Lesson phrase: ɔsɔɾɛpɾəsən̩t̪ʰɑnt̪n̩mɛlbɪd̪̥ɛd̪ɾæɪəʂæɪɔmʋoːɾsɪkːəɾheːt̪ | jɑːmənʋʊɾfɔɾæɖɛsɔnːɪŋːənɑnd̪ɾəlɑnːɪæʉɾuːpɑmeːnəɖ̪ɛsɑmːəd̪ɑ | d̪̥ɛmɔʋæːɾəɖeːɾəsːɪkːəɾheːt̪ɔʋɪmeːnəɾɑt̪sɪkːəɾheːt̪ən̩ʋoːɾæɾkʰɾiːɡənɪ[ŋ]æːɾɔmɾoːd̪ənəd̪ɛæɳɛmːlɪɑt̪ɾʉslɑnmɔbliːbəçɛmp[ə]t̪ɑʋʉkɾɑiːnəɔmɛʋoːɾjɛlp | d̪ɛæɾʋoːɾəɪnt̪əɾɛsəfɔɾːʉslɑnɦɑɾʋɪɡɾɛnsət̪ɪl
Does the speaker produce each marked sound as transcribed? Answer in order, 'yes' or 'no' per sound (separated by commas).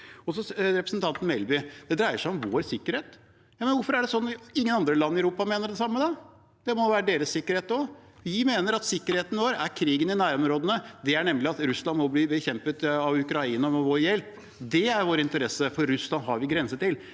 no, yes